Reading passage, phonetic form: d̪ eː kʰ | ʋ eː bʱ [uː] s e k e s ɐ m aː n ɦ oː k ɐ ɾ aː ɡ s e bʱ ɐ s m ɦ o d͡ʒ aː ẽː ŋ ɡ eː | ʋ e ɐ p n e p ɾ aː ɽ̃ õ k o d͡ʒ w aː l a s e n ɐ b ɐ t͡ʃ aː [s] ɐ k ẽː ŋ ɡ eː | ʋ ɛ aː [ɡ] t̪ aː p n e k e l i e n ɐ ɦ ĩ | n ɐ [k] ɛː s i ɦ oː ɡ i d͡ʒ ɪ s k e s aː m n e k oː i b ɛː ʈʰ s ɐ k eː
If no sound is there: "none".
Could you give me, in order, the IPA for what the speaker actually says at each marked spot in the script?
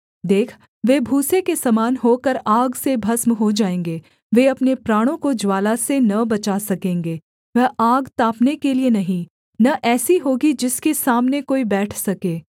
uː, s, ɡ, ʔ

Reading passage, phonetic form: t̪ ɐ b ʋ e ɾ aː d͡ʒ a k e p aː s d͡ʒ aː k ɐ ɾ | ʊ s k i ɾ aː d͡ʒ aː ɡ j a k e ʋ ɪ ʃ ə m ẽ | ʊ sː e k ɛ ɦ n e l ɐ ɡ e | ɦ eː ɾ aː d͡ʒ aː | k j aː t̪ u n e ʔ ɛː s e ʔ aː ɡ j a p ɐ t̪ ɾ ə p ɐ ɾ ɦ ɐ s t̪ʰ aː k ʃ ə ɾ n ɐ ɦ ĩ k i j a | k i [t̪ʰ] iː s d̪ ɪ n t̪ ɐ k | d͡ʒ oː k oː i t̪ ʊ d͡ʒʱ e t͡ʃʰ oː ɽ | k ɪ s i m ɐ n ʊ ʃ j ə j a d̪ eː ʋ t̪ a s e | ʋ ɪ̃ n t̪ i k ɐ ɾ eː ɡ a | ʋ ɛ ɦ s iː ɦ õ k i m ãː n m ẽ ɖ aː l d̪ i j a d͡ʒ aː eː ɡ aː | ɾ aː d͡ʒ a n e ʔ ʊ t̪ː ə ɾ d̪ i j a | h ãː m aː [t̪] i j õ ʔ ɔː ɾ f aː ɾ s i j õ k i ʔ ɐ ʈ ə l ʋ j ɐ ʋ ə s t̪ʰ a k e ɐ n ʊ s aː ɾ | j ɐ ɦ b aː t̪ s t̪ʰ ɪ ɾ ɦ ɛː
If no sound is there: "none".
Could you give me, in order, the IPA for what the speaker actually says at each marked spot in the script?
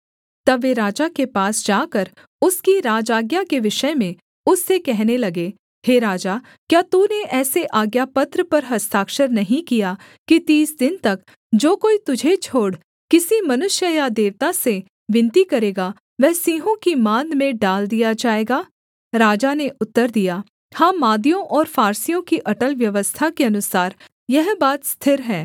t̪, d̪

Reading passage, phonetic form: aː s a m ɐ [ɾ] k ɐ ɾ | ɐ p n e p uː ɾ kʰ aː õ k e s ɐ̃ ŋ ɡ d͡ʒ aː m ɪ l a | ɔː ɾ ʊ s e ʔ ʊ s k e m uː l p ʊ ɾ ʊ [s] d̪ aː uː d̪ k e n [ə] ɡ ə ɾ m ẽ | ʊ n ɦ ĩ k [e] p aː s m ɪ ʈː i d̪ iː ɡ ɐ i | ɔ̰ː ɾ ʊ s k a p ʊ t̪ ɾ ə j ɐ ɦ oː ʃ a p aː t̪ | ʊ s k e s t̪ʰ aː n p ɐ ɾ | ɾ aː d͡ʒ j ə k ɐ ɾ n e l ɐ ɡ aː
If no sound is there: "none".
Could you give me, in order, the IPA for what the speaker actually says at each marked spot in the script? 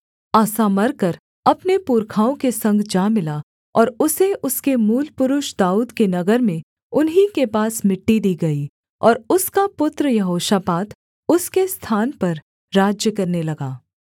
ɾ, ʃ, ɐ, e

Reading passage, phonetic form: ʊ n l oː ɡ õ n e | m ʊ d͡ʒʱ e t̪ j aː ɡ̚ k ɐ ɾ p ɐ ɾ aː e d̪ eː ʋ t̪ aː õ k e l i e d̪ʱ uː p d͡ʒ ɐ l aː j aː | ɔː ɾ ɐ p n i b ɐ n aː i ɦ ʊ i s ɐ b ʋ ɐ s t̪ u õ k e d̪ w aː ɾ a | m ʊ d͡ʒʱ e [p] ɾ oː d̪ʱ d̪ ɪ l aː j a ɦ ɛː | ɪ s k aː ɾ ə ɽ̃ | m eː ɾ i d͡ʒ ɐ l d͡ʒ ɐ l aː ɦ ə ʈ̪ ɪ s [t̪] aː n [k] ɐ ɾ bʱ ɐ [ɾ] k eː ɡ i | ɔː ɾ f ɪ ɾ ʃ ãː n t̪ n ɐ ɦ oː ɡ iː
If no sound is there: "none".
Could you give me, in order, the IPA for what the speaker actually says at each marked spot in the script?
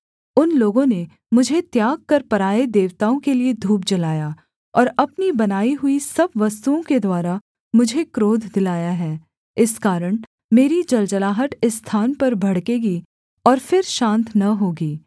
k, t̪ʰ, p, ɽ

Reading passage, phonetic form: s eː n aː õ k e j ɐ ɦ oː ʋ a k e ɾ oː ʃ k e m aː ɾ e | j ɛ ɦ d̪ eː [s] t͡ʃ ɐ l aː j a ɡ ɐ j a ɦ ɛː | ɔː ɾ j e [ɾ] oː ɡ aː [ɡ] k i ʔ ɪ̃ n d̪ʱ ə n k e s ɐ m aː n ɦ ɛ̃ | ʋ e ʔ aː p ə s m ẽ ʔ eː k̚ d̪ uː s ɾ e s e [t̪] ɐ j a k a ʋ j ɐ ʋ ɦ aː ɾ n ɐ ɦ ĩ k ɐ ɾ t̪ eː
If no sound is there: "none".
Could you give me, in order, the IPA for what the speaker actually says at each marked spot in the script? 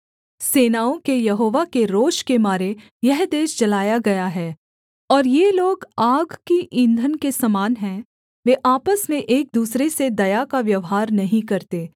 ʃ, l, ɡ, d̪

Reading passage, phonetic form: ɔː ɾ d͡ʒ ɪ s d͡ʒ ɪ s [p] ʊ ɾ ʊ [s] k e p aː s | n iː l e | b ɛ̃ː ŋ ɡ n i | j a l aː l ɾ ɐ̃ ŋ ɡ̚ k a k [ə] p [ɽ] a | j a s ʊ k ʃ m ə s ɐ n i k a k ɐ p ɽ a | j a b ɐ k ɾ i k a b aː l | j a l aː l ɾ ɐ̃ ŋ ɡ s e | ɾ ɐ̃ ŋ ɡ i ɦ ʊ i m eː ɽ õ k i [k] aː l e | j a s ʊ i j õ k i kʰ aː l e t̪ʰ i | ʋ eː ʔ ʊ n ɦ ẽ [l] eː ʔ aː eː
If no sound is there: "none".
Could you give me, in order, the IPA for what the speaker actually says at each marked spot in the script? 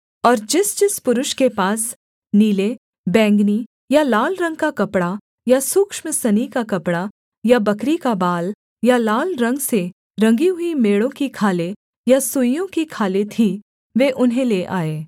p, ʃ, ɐ, ɽ, kʰ, l

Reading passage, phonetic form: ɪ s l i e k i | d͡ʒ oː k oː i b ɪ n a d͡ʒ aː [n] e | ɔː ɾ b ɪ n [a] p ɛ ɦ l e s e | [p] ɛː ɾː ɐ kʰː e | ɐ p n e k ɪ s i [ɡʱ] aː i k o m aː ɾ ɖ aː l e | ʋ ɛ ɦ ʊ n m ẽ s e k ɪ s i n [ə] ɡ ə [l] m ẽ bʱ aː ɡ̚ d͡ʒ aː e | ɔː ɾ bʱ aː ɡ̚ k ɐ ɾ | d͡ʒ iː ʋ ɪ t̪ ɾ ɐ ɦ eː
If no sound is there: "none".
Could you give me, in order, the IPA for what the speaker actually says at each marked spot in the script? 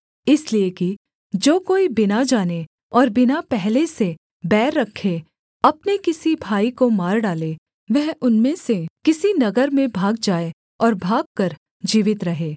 n, a, b, bʱ, ɐ, ɾ

